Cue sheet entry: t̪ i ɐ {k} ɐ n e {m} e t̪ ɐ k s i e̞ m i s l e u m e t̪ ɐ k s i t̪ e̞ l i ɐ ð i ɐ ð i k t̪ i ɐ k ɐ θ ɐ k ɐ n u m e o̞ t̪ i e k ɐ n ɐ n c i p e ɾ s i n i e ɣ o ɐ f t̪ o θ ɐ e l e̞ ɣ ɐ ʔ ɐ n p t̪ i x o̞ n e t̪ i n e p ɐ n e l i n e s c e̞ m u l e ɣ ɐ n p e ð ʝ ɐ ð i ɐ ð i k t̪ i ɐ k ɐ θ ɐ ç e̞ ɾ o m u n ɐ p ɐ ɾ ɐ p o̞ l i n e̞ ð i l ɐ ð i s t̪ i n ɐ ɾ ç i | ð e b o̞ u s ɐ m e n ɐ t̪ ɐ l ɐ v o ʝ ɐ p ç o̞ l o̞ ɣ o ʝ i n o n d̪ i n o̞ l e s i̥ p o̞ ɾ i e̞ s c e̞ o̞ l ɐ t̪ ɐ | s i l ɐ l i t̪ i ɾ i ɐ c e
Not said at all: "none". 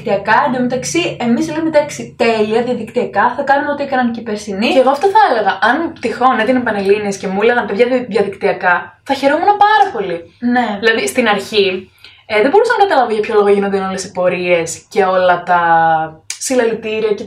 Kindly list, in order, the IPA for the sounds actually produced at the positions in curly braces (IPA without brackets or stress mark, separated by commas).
k, m